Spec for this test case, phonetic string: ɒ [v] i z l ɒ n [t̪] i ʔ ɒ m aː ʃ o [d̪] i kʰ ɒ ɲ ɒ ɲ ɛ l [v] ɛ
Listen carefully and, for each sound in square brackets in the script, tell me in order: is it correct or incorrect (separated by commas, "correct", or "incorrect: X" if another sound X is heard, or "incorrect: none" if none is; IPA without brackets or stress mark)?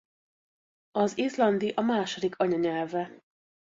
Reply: incorrect: z, incorrect: d̪, correct, correct